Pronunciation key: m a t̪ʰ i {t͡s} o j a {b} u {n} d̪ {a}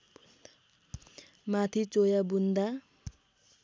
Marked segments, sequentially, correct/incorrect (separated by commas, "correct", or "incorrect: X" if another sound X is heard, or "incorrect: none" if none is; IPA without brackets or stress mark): correct, correct, correct, correct